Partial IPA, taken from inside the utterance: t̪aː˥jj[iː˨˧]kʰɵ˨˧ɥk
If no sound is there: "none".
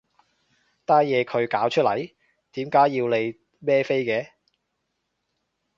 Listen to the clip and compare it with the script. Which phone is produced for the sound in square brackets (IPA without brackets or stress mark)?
ɛː˨˧